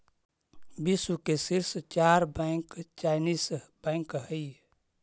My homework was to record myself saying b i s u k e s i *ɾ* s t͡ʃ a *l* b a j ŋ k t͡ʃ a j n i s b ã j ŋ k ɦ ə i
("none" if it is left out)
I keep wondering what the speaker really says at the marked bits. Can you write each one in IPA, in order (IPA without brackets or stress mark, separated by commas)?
ɾ, ɾ